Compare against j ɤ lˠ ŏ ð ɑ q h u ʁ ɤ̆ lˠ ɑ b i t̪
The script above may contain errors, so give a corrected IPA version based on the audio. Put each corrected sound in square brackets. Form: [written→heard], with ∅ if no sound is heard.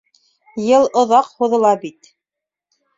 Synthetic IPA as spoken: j ɤ lˠ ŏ ð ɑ q h u [ʁ→ð] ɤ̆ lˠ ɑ b i t̪